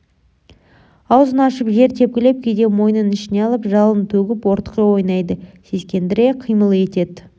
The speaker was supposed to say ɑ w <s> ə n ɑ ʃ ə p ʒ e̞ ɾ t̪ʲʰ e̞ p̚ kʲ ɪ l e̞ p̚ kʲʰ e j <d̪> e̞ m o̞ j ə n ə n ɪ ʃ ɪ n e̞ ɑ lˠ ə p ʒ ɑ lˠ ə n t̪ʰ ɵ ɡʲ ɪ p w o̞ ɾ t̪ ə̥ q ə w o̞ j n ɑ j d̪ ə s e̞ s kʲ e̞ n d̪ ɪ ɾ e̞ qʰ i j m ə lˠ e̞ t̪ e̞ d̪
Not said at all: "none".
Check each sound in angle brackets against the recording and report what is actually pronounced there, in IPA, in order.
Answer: z, d̪

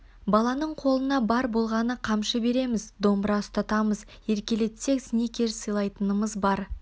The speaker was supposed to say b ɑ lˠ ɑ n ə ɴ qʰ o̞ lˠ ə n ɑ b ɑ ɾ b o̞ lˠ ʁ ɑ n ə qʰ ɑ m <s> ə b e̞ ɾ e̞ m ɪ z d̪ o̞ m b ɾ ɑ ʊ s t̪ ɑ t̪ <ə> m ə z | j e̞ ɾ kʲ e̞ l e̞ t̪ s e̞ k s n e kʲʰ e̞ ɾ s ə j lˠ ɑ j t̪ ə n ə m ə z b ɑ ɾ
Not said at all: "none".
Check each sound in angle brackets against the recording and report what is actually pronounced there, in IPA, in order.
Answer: ʃ, ɑ

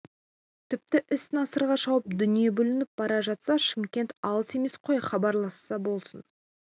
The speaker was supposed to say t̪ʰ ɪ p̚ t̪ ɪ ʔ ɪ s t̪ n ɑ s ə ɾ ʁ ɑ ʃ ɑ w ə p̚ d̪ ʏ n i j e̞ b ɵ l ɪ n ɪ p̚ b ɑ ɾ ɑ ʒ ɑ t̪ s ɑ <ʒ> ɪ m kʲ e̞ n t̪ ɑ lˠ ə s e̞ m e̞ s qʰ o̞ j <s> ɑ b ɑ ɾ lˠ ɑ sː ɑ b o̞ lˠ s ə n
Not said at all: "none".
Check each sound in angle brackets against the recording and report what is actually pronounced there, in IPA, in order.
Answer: ʃ, χ

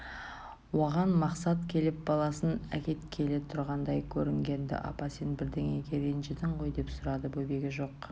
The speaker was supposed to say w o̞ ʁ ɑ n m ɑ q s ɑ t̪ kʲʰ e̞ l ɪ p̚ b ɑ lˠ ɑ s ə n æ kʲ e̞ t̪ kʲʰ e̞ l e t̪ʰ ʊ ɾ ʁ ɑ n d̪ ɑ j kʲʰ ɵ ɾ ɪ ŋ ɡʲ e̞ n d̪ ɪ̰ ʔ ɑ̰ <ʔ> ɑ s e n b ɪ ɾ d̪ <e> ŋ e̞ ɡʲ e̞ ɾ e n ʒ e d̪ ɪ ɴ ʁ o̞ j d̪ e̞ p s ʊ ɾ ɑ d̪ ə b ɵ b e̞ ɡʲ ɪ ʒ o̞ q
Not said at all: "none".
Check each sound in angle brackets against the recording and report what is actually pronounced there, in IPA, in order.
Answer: p, e

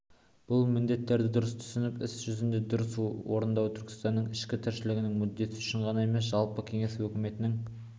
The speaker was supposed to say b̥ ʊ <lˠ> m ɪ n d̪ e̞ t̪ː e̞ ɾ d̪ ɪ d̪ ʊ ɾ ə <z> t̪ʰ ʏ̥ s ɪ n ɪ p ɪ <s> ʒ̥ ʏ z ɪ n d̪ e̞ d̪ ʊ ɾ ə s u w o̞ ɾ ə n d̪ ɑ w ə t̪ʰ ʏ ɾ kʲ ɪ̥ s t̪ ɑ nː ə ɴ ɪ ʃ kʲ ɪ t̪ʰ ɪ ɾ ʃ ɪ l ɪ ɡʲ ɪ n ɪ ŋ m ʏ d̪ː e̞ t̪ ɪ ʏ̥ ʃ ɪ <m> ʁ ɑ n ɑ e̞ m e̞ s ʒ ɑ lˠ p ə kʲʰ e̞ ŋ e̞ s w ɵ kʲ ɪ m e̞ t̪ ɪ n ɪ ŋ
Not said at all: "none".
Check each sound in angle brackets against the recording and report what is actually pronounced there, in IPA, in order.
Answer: lˠ, s, s, ɴ

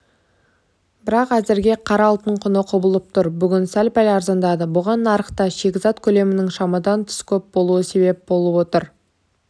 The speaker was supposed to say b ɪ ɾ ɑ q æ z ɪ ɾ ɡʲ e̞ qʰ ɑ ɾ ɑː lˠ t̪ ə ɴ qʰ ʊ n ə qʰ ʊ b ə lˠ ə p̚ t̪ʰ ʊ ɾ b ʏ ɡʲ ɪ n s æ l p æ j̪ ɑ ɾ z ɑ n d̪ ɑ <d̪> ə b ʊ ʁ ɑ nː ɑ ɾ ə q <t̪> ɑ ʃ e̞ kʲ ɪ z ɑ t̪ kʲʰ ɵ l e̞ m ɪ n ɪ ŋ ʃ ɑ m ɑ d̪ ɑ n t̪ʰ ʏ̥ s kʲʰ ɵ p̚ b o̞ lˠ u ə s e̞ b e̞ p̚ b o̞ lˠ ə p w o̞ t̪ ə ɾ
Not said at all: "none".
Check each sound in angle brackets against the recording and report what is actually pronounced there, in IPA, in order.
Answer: d̪, t̪

